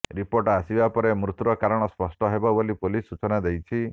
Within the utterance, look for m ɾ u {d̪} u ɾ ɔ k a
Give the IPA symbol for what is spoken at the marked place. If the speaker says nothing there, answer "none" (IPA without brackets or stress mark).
t̪